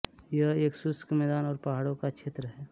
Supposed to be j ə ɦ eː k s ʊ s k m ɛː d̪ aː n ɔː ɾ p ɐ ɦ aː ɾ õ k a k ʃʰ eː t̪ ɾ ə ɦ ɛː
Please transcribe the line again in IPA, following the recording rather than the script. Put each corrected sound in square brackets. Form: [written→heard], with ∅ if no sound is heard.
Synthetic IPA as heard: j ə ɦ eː k s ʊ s k m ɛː d̪ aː n ɔː ɾ p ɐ ɦ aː [ɾ→ɽ] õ k a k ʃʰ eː t̪ ɾ ə ɦ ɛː